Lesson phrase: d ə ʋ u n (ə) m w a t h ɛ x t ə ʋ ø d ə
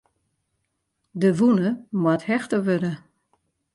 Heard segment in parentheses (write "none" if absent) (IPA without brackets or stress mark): ə